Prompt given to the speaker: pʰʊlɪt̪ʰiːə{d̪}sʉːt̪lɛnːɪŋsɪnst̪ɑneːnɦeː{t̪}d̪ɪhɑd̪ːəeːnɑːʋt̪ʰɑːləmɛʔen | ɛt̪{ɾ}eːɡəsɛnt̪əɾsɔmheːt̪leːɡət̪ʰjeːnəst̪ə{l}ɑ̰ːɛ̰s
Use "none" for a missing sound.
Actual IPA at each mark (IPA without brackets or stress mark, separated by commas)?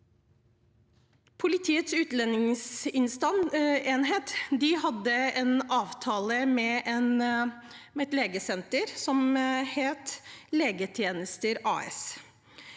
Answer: t̪, t̪, l, ɾ